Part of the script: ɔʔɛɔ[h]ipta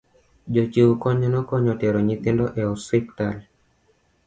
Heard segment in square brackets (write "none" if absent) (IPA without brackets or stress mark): s